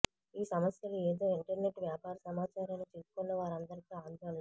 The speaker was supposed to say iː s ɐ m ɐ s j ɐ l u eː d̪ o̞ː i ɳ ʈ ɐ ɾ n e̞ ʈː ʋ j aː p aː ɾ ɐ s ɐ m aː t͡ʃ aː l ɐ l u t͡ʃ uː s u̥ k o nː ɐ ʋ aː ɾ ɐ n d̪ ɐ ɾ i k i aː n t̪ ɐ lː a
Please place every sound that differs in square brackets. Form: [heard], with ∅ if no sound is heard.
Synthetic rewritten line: iː s ɐ m ɐ s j ɐ l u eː d̪ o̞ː i ɳ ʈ ɐ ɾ n e̞ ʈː ʋ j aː p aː ɾ ɐ s ɐ m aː t͡ʃ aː [ɾ] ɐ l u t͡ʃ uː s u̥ k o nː ɐ ʋ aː ɾ ɐ n d̪ ɐ ɾ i k i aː n [d̪] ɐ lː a